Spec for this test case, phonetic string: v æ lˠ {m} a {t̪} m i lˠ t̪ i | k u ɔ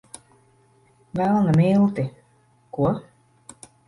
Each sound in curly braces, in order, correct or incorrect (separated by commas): incorrect, incorrect